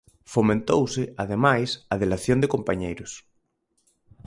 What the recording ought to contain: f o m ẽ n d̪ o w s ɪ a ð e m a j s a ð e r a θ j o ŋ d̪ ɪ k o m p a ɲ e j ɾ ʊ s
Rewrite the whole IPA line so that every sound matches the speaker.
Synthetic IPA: f o m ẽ n t̪ o w s ɪ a ð e m a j s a ð e l a θ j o n d̪ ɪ k o m p a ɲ e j ɾ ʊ s

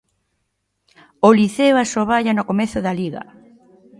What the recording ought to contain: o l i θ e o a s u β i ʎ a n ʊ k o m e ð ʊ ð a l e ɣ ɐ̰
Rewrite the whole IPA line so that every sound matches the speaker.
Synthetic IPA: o l i θ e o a s o β a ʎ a n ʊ k o m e θ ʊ ð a l i ɣ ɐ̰

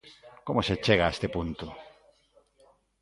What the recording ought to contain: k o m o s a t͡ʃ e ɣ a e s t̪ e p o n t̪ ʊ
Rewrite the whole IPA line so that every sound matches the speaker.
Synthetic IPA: k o m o s e t͡ʃ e ɣ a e s t̪ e p u n t̪ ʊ

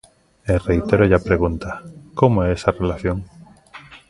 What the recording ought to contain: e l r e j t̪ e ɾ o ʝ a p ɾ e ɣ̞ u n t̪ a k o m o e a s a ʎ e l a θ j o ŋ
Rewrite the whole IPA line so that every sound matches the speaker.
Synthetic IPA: e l r e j t̪ e ɾ o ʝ a p ɾ e ɣ̞ u n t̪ a k o m o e e s a r e l a θ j o ŋ

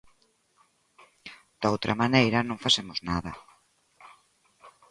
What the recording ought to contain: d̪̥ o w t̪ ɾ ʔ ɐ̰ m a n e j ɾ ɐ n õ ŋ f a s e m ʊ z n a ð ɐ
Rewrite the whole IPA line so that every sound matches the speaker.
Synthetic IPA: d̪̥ o w t̪ ɾ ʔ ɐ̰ m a n e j ɾ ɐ n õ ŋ f a s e m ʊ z n a ð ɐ

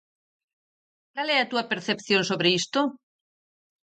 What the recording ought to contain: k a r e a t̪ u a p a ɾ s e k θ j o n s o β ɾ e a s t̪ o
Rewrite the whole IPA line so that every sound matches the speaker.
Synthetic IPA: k a l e a t̪ u a p e ɾ θ e p θ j o n s o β ɾ e i s t̪ o

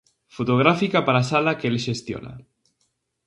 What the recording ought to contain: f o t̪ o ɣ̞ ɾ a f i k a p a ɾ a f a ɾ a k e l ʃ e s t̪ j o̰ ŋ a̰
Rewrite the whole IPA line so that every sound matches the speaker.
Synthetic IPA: f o t̪ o ɣ̞ ɾ a f i k a p a ɾ a s a l a k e l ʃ e s t̪ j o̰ n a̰

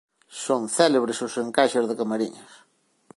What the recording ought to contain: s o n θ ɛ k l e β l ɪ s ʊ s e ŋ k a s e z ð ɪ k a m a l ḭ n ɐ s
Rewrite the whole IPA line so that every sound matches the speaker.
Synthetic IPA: s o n θ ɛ l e β ɾ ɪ s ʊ s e ŋ k a ʃ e z ð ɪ k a m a ɾ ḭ ɲ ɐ s

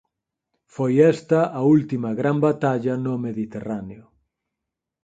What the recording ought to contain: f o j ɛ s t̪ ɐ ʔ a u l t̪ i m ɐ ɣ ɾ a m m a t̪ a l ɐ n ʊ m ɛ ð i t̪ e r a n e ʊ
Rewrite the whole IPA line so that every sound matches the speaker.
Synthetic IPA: f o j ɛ s t̪ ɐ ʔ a u l t̪ i m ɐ ɣ ɾ a m b a t̪ a ʎ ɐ n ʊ m e ð i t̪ e r a n e ʊ

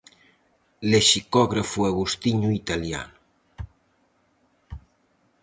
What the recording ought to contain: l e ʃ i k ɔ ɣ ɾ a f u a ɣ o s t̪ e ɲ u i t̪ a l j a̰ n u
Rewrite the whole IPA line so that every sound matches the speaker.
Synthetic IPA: l e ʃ i k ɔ ɣ ɾ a f u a ɣ u s t̪ i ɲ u i t̪ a l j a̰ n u

